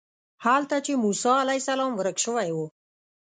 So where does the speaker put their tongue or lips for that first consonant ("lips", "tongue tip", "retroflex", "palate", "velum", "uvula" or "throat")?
throat